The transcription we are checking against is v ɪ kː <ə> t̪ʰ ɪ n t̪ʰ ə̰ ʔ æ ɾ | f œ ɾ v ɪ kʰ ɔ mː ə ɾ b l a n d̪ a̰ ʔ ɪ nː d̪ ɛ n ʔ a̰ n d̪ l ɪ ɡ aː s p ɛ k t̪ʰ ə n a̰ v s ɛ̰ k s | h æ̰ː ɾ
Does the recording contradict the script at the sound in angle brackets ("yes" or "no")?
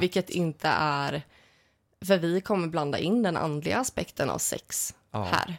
no